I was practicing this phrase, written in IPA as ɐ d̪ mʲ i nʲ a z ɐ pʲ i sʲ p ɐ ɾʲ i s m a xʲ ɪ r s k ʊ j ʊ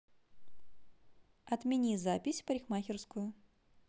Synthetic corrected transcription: ɐ t̪ mʲ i nʲ i z a pʲ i sʲ p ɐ ɾʲ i x m a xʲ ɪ r s k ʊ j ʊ